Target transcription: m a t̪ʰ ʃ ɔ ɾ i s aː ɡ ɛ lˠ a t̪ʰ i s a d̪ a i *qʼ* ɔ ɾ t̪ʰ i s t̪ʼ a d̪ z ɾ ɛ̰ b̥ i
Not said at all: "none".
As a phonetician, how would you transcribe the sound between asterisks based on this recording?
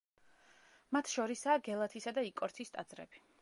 kʼ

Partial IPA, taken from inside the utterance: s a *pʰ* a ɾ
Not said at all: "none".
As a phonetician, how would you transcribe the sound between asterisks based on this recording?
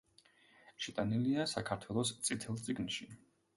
kʰ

